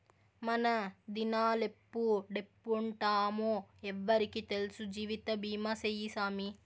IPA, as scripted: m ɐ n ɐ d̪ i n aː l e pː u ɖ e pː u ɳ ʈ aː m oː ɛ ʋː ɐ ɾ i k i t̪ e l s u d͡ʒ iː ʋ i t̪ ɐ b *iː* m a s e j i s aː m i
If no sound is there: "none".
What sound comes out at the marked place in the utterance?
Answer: iː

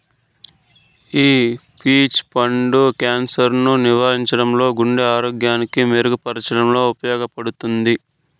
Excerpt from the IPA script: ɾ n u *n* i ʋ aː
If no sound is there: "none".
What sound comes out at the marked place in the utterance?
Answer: n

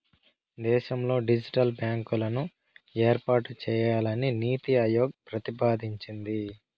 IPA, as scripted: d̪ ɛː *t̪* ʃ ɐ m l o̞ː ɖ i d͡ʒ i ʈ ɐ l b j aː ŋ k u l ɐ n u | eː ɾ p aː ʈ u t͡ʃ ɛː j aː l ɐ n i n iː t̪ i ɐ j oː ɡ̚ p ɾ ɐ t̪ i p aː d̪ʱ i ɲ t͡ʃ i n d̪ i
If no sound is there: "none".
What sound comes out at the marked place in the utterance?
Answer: none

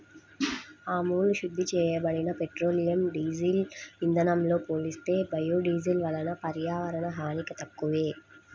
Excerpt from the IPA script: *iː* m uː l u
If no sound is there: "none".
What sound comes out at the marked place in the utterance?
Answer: aː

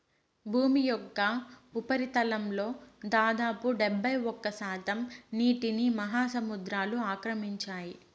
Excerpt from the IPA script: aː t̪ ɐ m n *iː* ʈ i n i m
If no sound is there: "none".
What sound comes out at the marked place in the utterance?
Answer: iː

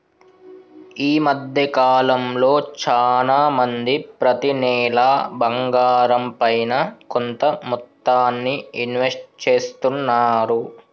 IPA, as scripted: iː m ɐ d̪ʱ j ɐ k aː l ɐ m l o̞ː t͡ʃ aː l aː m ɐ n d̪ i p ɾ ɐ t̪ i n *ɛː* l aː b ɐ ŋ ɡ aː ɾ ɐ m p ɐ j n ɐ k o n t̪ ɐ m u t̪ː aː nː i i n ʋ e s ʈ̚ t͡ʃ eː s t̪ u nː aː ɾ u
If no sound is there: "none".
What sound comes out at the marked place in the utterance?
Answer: ɛː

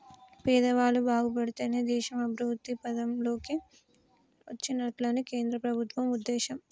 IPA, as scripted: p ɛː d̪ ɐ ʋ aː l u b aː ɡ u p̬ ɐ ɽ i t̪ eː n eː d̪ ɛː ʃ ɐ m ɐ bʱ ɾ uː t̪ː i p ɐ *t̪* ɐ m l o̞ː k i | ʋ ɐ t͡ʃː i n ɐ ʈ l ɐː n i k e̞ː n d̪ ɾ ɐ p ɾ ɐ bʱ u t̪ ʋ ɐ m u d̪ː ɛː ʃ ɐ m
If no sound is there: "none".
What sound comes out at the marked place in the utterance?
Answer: d̪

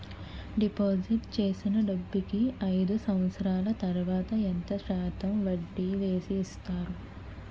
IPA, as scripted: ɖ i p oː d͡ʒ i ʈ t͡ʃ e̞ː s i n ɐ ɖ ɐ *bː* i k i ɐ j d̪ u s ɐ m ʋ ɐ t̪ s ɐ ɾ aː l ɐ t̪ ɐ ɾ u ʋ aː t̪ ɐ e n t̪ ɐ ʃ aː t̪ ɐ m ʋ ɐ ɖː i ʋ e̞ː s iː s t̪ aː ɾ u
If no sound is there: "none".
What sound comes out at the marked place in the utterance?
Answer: bː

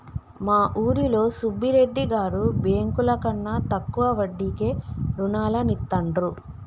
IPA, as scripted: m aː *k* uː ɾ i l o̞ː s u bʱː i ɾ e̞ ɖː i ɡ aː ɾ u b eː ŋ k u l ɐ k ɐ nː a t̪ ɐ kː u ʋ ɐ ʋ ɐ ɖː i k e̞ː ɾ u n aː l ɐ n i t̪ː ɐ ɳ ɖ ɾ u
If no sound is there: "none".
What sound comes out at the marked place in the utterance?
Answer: ʔ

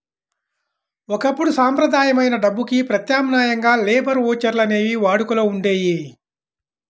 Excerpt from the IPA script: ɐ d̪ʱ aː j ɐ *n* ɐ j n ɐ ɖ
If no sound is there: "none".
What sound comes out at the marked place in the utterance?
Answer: m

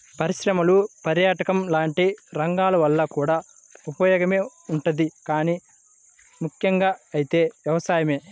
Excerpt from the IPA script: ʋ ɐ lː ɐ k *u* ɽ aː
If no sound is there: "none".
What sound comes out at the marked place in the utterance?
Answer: uː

